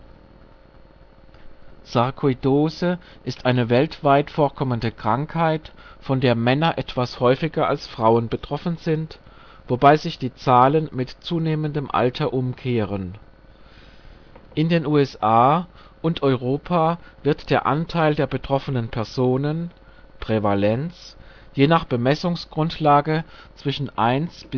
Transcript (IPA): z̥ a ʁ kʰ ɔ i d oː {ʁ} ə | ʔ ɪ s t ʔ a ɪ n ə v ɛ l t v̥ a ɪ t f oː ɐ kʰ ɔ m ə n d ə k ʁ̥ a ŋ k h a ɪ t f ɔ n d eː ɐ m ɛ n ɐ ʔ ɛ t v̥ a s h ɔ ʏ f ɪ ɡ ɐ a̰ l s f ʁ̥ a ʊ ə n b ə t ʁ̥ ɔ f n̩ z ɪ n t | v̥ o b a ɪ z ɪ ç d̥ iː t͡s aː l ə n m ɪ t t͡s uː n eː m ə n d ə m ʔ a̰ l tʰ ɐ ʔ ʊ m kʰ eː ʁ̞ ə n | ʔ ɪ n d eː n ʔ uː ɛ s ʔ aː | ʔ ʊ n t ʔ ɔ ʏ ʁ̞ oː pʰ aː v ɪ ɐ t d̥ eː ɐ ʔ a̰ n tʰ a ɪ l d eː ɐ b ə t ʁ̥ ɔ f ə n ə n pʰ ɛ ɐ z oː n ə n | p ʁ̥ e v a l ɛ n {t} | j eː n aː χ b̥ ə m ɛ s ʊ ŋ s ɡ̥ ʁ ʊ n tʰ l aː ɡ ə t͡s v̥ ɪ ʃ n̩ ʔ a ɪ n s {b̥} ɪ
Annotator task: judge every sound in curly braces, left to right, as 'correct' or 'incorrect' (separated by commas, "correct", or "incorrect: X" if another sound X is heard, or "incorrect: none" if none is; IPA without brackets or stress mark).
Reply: incorrect: z, incorrect: t͡s, correct